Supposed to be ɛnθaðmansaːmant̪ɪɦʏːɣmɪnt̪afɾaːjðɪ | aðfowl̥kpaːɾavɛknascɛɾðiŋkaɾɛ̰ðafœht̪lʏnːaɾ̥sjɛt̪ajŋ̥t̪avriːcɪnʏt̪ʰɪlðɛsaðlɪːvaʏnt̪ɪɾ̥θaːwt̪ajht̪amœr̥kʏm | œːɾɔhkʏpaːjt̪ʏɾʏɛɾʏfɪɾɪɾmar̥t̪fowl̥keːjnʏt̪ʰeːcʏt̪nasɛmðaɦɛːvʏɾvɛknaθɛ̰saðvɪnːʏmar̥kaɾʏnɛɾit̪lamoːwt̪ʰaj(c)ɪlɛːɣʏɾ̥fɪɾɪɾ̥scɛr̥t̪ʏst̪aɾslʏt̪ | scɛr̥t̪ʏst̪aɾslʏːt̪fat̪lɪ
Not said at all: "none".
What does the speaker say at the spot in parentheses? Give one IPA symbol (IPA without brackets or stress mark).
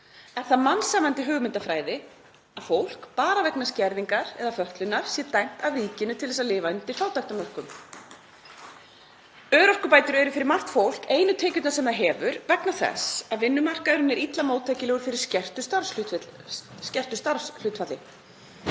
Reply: c